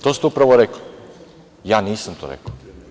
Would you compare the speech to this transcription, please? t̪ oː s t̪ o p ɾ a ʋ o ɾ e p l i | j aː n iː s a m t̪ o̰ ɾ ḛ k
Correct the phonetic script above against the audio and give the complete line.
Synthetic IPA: t̪ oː s t̪ u p ɾ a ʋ o ɾ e k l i | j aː n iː s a m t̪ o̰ ɾ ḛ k